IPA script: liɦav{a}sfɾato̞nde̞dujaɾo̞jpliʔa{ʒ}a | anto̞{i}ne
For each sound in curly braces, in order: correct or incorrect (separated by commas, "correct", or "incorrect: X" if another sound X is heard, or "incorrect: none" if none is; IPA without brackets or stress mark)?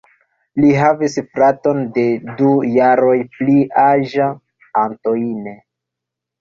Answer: incorrect: i, correct, correct